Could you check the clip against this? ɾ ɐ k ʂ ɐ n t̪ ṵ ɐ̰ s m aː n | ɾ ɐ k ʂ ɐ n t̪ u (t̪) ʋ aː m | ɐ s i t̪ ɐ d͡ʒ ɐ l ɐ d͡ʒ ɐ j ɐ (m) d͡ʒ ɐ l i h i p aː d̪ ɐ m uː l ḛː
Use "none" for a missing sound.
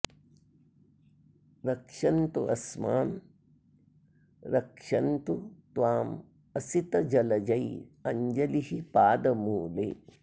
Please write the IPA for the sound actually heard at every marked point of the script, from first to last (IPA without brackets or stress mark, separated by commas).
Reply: t̪, ɲ